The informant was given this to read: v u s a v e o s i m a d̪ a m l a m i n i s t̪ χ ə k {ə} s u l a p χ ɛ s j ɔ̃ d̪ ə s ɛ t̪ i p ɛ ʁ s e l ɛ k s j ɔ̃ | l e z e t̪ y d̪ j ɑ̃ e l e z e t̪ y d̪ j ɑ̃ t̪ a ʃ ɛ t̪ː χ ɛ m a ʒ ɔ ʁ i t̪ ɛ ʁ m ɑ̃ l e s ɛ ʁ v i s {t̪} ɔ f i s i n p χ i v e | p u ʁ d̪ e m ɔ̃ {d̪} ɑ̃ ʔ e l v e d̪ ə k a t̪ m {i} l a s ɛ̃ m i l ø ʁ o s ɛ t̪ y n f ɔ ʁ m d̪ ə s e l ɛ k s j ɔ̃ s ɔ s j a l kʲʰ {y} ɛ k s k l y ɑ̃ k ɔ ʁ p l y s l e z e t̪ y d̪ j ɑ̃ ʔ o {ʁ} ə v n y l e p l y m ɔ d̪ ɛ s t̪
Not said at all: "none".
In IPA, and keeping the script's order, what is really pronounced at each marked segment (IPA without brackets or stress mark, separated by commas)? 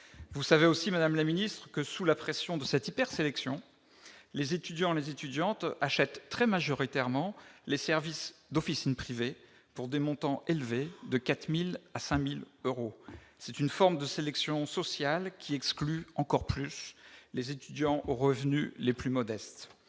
ə, d̪, t̪, i, i, ʁ